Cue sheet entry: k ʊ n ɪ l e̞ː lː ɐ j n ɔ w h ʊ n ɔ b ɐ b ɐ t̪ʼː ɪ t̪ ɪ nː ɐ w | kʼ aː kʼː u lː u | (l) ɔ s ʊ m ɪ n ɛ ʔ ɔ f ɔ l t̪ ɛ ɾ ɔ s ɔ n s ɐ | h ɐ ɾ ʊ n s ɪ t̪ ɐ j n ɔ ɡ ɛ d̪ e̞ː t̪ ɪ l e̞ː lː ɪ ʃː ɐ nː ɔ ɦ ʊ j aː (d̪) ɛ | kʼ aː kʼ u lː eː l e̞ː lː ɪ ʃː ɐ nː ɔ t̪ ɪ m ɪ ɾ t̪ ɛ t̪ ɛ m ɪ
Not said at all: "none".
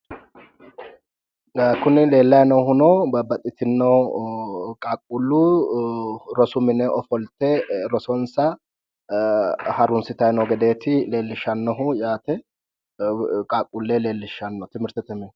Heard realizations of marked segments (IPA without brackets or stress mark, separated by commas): ɾ, t̪